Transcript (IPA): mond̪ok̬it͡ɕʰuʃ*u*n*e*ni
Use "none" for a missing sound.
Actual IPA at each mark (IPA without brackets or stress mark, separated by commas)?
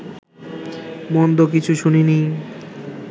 u, i